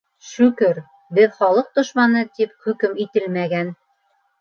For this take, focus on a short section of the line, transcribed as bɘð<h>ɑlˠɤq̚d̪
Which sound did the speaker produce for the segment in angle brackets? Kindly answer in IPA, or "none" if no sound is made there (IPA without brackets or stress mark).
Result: χ